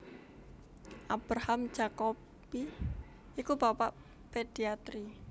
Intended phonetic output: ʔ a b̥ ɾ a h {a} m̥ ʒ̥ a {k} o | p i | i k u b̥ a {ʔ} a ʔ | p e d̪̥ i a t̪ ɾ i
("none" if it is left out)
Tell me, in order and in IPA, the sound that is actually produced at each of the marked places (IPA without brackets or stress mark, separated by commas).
a, k, p